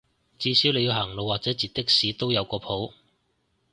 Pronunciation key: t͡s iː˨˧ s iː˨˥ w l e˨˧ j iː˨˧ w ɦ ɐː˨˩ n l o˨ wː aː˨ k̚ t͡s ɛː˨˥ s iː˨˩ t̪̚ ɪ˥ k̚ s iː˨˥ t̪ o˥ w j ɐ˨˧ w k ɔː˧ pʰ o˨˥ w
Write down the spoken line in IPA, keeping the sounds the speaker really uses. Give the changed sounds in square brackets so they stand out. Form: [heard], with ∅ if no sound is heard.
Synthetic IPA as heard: t͡s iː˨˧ s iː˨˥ w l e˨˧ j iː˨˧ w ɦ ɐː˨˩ [ŋ] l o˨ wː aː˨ k̚ t͡s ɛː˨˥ [t͡s] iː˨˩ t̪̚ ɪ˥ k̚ s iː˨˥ t̪ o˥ w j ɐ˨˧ w k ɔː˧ pʰ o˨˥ w